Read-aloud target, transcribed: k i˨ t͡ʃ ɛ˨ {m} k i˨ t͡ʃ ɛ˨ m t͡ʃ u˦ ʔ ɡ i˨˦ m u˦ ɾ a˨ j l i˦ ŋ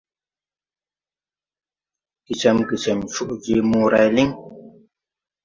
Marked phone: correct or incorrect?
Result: correct